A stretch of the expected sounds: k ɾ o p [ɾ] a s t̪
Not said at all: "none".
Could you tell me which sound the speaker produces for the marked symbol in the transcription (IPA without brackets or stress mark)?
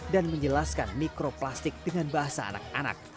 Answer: l